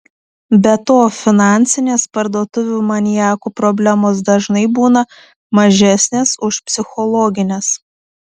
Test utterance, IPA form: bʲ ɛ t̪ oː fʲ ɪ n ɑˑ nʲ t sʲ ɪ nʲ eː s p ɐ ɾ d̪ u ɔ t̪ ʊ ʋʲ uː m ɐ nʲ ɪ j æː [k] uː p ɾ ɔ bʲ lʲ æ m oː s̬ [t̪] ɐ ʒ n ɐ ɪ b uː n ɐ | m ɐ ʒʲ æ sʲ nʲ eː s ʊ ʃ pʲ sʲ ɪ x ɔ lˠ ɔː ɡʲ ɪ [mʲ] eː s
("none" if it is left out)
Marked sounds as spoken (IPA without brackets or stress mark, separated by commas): k, d̪, nʲ